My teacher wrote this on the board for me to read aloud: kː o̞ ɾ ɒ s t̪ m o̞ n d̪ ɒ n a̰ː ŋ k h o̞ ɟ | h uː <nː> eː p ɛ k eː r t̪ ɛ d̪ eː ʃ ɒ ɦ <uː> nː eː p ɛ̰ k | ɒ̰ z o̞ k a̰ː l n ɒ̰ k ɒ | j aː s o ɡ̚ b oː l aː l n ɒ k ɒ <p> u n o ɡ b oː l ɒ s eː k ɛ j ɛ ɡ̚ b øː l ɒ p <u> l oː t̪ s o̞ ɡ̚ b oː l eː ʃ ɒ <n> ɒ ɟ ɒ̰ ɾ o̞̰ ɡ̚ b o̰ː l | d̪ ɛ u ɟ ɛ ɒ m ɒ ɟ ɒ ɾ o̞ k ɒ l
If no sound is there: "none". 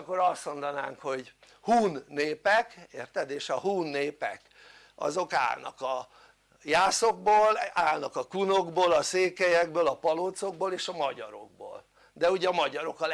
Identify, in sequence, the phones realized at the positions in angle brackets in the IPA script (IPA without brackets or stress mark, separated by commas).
nː, uː, k, ɒ, m